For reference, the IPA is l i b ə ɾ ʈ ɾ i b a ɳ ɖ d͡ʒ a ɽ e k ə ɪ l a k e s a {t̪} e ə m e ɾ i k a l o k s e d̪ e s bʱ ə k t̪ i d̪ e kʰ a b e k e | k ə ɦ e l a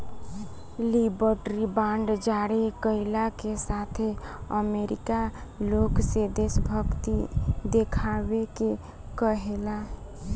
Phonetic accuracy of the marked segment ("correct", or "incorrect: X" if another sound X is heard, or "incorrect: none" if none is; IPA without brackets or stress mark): incorrect: t̪ʰ